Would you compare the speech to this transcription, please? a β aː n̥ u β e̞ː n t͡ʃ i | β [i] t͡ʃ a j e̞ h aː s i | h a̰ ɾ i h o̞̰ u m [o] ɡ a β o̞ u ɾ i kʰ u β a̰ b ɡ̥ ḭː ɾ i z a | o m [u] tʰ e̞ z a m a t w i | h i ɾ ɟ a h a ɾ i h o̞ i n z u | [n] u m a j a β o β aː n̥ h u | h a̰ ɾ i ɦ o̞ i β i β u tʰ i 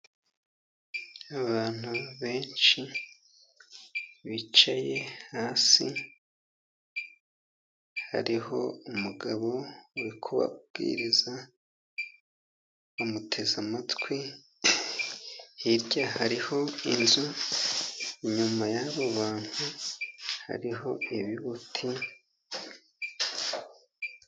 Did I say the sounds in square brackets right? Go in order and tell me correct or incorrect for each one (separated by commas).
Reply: correct, incorrect, correct, incorrect